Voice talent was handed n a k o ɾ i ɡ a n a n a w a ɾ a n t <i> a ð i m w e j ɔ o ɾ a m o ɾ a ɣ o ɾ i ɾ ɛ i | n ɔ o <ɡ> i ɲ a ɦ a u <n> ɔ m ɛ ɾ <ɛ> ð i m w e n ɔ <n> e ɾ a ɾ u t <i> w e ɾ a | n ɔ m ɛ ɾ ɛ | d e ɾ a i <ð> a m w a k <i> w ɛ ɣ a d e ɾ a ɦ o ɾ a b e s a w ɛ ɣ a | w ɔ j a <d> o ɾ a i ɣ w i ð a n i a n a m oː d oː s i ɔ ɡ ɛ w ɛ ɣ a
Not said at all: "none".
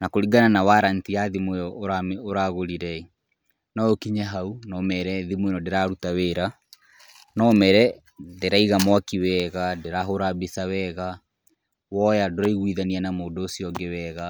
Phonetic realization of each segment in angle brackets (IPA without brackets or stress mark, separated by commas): i, k, n, ɛ, d, a, ɣ, i, d